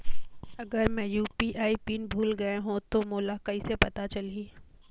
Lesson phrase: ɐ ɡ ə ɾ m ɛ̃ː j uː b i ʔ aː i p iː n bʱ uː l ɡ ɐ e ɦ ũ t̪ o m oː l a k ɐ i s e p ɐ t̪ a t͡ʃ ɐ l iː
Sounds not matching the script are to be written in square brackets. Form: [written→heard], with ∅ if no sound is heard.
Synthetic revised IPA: ɐ ɡ ə ɾ m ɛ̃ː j uː [b→p] i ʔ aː i p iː n bʱ uː l ɡ ɐ e ɦ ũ t̪ o m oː l a k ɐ i s e p ɐ t̪ a t͡ʃ ɐ l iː